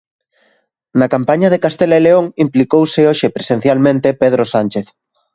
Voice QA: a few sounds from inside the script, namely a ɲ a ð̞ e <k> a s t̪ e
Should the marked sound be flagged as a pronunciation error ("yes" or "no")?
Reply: no